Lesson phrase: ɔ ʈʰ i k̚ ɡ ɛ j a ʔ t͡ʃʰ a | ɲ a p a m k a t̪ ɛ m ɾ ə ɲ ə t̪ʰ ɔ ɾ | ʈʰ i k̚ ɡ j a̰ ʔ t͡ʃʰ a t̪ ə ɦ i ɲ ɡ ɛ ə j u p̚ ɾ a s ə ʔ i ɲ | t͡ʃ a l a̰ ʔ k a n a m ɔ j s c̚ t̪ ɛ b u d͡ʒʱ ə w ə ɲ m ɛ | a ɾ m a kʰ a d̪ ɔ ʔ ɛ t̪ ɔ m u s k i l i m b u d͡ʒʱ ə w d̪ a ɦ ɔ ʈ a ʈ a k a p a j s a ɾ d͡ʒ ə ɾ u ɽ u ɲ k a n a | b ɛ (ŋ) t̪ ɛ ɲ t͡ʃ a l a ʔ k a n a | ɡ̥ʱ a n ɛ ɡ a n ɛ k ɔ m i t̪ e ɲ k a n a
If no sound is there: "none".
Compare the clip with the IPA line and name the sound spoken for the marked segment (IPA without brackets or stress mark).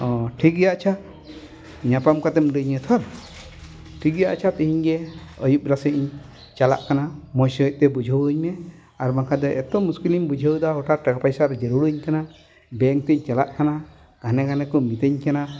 ŋ